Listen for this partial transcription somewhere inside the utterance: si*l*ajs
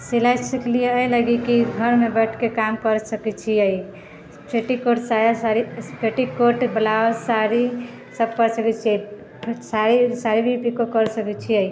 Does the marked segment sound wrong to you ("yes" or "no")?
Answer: no